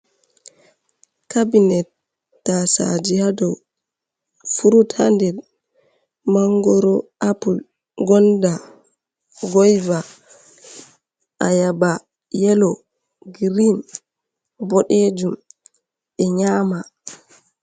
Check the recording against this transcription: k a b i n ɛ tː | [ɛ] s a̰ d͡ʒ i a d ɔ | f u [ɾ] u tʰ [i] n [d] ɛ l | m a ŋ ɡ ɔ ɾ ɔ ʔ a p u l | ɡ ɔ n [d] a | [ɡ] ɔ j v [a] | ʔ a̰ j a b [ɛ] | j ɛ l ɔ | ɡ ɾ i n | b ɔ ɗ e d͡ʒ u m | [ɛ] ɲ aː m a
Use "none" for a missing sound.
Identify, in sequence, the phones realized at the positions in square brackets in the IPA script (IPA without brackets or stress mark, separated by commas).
a, ɾ, a, d, d, ɡ, a, a, ɛ